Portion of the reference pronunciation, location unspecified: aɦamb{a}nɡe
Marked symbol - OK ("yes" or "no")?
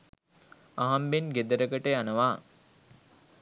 no